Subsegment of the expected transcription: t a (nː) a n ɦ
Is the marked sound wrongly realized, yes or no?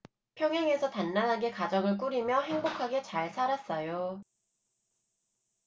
no